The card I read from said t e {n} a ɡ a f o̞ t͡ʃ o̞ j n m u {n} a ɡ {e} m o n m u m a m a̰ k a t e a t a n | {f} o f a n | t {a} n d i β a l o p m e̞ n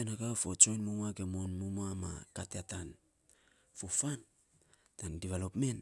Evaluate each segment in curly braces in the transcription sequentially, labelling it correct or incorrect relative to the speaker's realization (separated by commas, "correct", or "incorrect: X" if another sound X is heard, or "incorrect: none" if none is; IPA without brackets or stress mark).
correct, incorrect: m, correct, correct, correct